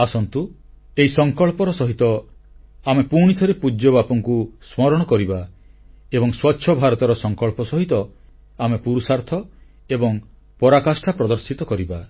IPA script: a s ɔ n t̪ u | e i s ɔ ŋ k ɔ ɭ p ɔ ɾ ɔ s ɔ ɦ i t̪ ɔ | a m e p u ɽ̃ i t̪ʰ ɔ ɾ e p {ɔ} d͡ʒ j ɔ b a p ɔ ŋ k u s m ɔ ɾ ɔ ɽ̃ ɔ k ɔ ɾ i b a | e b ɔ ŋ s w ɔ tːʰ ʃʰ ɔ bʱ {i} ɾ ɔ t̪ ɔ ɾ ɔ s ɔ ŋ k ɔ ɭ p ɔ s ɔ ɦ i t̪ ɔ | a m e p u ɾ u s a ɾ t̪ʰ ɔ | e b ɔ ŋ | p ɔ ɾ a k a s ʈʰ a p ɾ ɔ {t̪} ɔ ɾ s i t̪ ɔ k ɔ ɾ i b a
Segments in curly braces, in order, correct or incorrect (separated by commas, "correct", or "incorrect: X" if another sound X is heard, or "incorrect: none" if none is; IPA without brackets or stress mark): incorrect: u, incorrect: a, incorrect: d̪